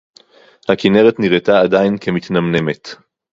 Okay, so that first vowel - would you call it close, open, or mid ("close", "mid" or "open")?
open